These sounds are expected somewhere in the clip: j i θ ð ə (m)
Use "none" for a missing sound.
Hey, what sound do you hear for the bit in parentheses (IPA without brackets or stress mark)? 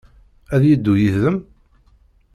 m